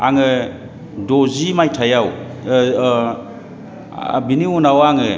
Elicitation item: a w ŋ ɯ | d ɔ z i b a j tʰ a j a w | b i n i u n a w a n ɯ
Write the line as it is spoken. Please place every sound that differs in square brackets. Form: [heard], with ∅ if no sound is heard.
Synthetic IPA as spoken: a [∅] ŋ ɯ | d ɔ z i [m] a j tʰ a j a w | b i n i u n a w a [ŋ] ɯ